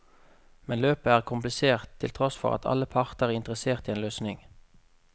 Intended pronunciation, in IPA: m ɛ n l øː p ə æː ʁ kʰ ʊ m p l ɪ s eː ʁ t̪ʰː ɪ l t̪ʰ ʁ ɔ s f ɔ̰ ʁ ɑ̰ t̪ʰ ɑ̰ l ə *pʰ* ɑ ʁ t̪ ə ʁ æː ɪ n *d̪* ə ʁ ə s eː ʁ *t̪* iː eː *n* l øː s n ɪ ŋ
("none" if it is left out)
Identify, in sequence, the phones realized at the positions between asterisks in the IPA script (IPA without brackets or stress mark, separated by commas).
pʰ, t̪, t̪, n